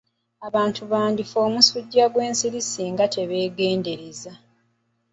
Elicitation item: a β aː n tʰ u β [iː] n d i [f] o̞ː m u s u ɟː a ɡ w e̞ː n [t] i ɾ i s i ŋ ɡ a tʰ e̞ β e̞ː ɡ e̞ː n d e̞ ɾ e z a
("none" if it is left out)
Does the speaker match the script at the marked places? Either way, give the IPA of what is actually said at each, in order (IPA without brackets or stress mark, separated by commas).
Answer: aː, f, s